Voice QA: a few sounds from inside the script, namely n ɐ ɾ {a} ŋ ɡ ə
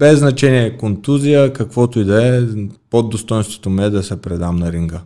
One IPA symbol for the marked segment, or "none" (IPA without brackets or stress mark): i